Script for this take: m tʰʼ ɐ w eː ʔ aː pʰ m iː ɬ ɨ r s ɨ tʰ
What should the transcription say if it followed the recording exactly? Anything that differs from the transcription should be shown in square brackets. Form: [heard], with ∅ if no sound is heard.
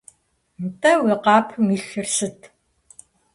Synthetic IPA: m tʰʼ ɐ w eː [q] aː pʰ m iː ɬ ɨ r s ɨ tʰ